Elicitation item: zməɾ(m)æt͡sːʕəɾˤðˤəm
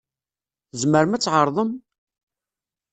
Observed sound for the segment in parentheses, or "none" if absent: m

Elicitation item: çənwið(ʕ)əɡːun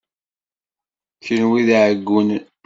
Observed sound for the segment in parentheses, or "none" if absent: ʕ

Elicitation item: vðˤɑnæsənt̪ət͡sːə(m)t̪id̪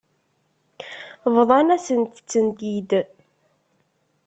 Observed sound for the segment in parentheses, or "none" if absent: n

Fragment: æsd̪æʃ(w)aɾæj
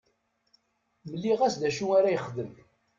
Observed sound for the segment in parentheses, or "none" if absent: u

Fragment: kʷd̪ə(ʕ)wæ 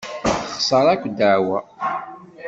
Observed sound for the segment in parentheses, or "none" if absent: ʕ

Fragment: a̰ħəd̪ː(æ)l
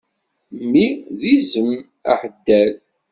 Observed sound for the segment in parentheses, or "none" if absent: æ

